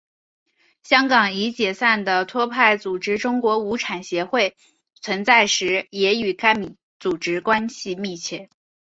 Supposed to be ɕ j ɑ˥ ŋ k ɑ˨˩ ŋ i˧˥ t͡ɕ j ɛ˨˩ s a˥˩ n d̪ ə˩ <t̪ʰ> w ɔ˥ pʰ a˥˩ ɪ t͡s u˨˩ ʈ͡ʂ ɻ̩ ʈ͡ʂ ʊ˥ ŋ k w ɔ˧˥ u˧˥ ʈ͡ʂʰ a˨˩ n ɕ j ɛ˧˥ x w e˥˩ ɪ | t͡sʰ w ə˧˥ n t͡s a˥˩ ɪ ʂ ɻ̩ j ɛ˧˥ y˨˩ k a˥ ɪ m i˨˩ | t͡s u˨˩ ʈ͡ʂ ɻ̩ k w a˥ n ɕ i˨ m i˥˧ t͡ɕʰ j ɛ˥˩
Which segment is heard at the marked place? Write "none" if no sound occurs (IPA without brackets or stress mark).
t̪ʰ